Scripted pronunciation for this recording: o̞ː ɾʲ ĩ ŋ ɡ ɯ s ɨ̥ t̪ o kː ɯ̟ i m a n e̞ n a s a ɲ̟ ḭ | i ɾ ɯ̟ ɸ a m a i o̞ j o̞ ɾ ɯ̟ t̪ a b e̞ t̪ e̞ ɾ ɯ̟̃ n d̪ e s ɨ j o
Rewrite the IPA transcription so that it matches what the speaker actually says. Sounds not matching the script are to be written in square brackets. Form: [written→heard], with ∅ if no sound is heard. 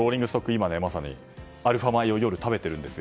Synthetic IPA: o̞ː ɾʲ ĩ ŋ ɡ ɯ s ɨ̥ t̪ o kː ɯ̟ i m a n e̞ [n→m] a s a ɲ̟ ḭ | [i→a] ɾ ɯ̟ ɸ a m a i o̞ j o̞ ɾ ɯ̟ t̪ a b e̞ t̪ e̞ ɾ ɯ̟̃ n d̪ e s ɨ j o